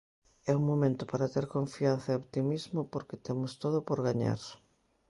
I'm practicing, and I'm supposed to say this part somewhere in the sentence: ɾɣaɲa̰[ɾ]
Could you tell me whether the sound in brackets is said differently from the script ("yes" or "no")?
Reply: no